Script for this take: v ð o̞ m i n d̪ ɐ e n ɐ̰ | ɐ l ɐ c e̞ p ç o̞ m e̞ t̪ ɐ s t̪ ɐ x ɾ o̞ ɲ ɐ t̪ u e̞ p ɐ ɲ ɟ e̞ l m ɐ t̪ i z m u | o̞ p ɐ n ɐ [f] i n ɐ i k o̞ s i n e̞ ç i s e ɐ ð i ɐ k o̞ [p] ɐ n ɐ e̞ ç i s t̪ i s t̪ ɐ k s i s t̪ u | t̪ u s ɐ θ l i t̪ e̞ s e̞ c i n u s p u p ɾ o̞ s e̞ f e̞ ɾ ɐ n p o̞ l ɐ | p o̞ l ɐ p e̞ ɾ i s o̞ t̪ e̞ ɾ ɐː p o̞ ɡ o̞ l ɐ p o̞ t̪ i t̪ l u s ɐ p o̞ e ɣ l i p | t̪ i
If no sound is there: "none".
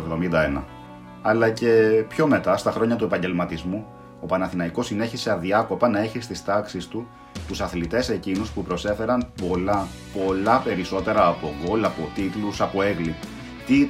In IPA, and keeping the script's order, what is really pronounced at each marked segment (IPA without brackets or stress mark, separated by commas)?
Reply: θ, p